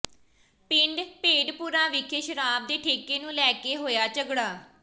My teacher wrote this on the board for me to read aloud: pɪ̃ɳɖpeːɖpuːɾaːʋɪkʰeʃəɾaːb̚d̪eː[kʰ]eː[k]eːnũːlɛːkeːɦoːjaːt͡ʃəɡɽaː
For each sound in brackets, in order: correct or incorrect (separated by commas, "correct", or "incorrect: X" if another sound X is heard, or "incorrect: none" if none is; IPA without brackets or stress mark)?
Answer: incorrect: ʈʰ, correct